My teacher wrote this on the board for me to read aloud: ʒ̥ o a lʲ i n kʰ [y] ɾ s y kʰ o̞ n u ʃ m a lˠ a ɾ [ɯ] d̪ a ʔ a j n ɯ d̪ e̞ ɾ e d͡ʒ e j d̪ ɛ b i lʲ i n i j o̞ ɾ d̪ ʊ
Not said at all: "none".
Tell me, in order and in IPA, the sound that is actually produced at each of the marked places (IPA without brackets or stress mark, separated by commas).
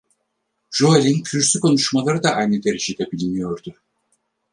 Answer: y, ɯ